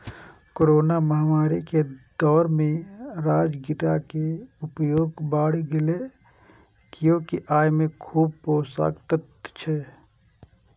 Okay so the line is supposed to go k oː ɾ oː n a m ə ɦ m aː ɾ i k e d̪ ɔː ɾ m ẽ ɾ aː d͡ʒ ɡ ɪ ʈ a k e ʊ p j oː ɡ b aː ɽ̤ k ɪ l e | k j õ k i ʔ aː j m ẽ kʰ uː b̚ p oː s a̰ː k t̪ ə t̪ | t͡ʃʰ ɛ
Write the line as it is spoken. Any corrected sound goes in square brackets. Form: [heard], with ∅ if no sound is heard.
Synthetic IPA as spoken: k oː ɾ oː n a m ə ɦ m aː ɾ i k e d̪ ɔː ɾ m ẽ ɾ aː d͡ʒ ɡ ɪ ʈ a k e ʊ p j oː ɡ b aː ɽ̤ [ɡ] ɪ l e | k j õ k i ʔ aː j m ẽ kʰ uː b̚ p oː s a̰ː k t̪ ə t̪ | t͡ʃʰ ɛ